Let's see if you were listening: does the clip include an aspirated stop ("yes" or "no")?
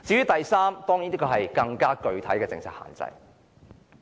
yes